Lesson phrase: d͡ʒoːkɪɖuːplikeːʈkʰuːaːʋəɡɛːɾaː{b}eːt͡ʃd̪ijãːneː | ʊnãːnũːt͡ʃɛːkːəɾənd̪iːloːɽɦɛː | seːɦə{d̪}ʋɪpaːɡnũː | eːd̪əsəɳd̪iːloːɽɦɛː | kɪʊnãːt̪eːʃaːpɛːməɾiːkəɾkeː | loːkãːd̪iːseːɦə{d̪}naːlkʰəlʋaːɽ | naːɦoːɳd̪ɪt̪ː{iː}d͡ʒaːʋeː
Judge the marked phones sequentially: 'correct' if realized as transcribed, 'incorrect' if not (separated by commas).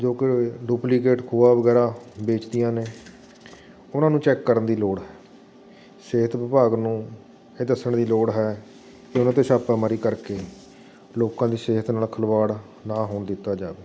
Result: correct, incorrect, incorrect, incorrect